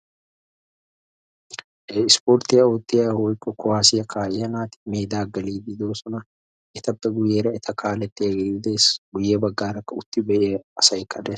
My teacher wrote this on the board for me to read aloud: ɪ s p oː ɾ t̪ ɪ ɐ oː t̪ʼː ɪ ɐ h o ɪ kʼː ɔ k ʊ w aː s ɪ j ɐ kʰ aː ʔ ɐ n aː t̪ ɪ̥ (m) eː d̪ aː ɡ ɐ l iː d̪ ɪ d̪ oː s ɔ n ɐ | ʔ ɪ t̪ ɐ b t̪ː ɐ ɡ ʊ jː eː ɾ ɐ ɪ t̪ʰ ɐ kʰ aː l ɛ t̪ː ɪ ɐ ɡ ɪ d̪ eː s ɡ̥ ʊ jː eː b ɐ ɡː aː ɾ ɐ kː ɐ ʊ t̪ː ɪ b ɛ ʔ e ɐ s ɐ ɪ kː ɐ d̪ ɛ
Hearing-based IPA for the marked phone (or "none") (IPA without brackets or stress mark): m